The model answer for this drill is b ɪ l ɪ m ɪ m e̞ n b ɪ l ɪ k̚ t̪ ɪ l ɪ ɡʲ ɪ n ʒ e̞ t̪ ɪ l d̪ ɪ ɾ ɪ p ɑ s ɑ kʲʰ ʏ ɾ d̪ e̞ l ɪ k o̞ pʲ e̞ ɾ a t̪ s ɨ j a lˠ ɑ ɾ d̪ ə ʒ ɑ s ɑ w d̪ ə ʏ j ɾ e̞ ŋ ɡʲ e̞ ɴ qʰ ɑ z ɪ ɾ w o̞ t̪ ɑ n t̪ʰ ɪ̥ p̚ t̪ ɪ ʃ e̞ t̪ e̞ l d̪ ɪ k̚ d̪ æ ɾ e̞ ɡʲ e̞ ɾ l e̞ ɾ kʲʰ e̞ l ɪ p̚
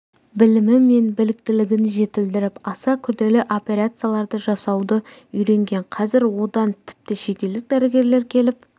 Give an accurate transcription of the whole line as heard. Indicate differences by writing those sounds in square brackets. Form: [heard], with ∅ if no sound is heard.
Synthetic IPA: b ɪ l ɪ m ɪ m e̞ n b ɪ l ɪ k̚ t̪ ɪ l ɪ ɡʲ ɪ n ʒ e̞ t̪ ɪ l d̪ ɪ ɾ ɪ p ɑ s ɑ kʲʰ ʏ ɾ d̪ e̞ l ɪ [ʔ] o̞ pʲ e̞ ɾ a t̪ s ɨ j a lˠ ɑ ɾ d̪ ə ʒ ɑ s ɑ w d̪ ə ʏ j ɾ e̞ ŋ ɡʲ e̞ ɴ qʰ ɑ z ɪ ɾ w o̞ [d̪] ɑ n t̪ʰ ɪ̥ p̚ t̪ ɪ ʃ e̞ t̪ e̞ l d̪ ɪ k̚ d̪ æ ɾ e̞ ɡʲ e̞ ɾ l e̞ ɾ kʲʰ e̞ l ɪ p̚